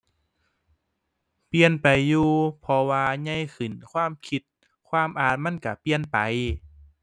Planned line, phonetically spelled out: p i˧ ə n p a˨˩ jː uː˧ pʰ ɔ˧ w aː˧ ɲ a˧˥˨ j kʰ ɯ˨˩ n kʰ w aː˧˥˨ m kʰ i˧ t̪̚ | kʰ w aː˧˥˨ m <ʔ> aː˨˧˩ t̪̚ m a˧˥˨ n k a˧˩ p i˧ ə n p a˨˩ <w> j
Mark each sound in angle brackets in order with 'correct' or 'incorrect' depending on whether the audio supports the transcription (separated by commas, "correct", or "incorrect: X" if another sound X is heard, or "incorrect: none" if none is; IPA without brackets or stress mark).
correct, incorrect: none